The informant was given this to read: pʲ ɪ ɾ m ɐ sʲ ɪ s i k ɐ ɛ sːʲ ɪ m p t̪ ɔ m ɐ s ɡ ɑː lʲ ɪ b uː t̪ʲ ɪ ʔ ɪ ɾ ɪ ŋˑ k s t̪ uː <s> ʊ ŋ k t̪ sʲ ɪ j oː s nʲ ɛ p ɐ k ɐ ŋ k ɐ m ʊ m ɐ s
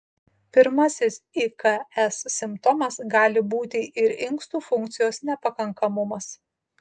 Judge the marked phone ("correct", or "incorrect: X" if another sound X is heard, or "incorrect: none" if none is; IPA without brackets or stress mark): incorrect: f